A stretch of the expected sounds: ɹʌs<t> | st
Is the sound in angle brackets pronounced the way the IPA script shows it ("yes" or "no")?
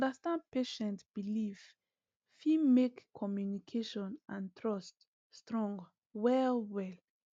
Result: yes